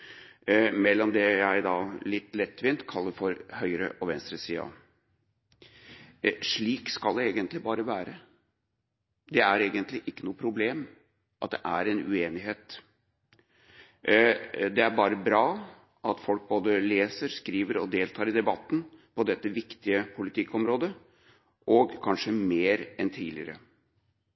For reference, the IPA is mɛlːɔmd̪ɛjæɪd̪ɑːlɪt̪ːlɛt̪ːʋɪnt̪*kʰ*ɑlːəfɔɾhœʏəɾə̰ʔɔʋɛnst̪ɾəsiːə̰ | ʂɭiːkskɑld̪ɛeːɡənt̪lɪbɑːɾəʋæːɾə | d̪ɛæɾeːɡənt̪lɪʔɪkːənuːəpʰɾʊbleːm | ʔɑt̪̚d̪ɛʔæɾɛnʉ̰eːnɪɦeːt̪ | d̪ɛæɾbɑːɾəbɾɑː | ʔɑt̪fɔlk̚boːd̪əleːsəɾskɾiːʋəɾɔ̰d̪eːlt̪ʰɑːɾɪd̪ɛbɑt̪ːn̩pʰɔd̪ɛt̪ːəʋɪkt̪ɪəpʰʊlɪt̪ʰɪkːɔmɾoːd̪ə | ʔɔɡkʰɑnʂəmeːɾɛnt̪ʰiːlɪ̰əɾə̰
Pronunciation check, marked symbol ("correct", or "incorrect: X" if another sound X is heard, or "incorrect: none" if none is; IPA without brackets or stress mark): correct